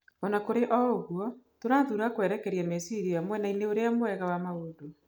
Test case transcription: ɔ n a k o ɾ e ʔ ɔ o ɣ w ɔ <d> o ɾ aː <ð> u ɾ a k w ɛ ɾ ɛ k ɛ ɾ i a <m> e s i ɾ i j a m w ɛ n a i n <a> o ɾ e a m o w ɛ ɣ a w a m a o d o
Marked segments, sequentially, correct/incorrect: incorrect, correct, correct, incorrect

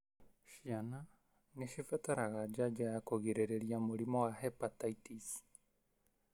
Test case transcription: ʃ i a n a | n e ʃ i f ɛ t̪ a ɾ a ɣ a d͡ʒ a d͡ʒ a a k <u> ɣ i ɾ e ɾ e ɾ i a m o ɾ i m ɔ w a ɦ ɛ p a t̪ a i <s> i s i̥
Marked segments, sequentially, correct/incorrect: incorrect, incorrect

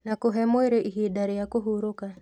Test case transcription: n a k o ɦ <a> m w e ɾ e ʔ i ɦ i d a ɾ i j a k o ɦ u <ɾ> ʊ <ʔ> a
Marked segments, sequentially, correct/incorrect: incorrect, correct, incorrect

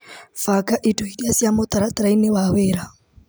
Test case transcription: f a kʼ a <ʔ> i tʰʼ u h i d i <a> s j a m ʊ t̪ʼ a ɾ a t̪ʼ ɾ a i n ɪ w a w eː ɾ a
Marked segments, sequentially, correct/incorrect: correct, correct

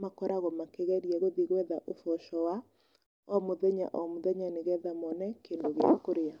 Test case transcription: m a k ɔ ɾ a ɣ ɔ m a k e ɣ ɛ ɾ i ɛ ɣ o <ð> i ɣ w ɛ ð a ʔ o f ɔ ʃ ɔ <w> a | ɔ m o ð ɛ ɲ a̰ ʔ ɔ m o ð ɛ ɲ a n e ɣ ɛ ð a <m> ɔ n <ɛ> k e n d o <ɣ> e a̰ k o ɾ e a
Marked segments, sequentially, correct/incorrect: correct, correct, correct, correct, correct

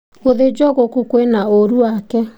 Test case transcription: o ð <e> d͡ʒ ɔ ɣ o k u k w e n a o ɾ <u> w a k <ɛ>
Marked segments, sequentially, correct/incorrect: correct, correct, correct

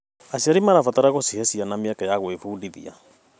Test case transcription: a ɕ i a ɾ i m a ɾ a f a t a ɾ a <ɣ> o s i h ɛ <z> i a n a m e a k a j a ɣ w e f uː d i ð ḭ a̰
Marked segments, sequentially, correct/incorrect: correct, incorrect

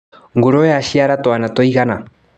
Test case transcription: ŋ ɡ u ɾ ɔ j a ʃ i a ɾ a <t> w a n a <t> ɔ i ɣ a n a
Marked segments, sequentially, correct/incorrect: correct, correct

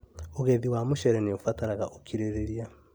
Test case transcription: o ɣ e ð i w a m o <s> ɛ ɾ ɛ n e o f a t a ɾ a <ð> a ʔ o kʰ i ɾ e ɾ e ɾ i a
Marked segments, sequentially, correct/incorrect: incorrect, incorrect

